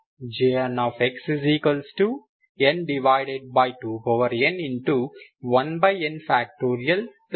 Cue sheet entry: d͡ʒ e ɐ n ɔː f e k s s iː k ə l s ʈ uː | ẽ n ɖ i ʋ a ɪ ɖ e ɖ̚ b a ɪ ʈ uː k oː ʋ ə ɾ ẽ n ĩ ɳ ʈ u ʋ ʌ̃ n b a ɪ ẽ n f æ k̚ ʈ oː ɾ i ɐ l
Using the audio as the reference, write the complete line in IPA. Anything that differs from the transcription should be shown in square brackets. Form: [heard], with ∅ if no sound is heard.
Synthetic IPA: d͡ʒ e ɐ n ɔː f e k s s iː k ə l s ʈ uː | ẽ n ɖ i ʋ a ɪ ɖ e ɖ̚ b a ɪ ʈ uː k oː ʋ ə ɾ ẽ n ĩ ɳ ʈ u ʋ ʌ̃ n b a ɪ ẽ n f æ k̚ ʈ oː ɾ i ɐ l